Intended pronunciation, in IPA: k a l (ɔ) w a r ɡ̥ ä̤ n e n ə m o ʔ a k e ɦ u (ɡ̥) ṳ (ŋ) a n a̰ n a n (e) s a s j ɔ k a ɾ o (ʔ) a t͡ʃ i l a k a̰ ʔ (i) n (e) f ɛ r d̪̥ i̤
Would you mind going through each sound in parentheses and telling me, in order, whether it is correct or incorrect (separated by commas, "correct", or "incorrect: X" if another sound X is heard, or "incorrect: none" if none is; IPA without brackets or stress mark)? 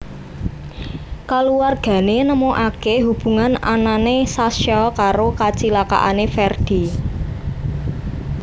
incorrect: u, incorrect: b̥, correct, correct, incorrect: k, incorrect: a, correct